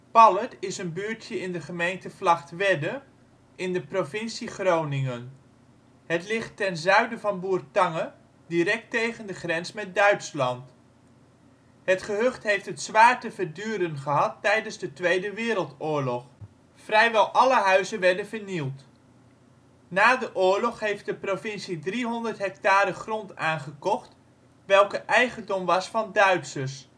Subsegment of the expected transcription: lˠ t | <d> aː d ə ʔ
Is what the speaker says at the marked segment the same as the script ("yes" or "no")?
no